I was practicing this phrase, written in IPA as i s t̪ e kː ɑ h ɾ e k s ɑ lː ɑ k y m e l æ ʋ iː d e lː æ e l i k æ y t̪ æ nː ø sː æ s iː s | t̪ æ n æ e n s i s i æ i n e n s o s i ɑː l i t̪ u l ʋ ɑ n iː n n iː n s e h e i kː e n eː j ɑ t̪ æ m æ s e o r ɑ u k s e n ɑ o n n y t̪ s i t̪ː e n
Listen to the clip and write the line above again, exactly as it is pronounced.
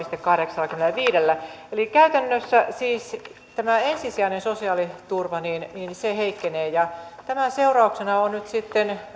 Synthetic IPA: i s t̪ e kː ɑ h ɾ e k s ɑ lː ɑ k y m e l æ ʋ iː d e lː æ e l i k æ y t̪ æ nː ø sː æ s iː s | t̪ æ m æ e n s i s i æ i n e n s o s i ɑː l i t̪ u r ʋ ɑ n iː n n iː n s e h e i kː e n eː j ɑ t̪ æ m æ s e u r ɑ u k s e n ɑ o n n y t̪ s i t̪ː e n